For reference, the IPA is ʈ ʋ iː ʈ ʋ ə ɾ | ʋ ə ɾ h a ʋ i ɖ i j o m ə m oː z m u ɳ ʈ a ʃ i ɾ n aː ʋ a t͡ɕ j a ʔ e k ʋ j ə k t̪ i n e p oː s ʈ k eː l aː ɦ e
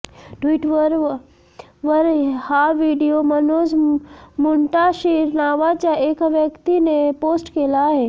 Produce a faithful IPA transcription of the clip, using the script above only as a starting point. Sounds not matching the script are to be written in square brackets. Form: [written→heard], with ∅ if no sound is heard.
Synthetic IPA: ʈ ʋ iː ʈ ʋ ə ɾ | ʋ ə ɾ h a ʋ i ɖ i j o m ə [m→n] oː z m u ɳ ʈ a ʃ i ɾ n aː ʋ a t͡ɕ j a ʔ e k ʋ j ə k t̪ i n e p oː s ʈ k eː l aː ɦ e

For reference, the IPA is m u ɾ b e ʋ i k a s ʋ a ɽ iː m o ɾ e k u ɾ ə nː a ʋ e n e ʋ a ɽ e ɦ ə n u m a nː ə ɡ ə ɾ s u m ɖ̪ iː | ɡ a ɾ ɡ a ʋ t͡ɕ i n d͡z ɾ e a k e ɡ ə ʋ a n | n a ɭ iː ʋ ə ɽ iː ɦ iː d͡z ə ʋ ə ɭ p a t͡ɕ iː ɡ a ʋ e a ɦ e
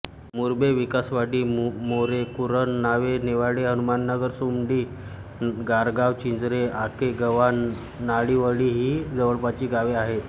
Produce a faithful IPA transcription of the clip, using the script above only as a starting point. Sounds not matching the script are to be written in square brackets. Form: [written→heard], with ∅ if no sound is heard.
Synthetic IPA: m u ɾ b e ʋ i k a s ʋ a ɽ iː m o ɾ e k u ɾ ə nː a ʋ e n e ʋ a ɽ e ɦ ə n u m a nː ə ɡ ə ɾ s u m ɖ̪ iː | ɡ a ɾ ɡ a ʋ t͡ɕ i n d͡z ɾ e a k e ɡ ə ʋ a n | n a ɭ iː ʋ ə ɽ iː ɦ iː d͡z ə ʋ ə ɭ p a t͡ɕ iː ɡ a ʋ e a ɦ e

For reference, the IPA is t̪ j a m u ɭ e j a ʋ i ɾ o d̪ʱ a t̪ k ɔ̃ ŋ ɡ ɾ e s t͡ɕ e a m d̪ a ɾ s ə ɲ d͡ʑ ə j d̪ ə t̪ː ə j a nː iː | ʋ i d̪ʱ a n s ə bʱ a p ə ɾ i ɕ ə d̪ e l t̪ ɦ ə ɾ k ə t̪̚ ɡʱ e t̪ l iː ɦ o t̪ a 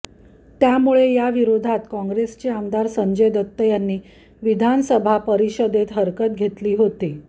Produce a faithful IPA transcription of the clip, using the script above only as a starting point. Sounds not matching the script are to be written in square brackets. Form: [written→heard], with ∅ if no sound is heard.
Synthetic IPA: t̪ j a m u ɭ e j a ʋ i ɾ o d̪ʱ a t̪ k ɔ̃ ŋ ɡ ɾ e s t͡ɕ e a m d̪ a ɾ s ə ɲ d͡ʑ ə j d̪ ə t̪ː ə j a nː iː | ʋ i d̪ʱ a n s ə bʱ a p ə ɾ i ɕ ə d̪ e [l→∅] t̪ ɦ ə ɾ k ə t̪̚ ɡʱ e t̪ l iː ɦ o t̪ [a→i]

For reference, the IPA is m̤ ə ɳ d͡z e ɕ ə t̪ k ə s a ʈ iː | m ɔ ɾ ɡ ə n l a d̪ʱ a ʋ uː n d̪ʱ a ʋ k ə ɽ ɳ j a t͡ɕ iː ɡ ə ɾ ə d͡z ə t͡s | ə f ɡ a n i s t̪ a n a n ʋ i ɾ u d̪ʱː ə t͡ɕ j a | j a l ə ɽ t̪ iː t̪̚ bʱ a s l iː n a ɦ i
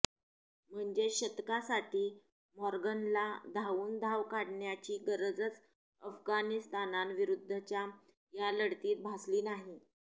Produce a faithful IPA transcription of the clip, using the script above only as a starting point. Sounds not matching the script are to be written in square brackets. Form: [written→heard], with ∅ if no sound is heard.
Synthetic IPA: m̤ ə ɳ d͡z e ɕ ə t̪ k [ə→a] s a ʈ iː | m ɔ ɾ ɡ ə n l a d̪ʱ a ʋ uː n d̪ʱ a ʋ k [ə→a] ɽ ɳ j a t͡ɕ iː ɡ ə ɾ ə d͡z ə t͡s | ə f ɡ a n i s t̪ a n a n ʋ i ɾ u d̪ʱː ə t͡ɕ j a | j a l ə ɽ t̪ iː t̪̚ bʱ a s l iː n a ɦ i

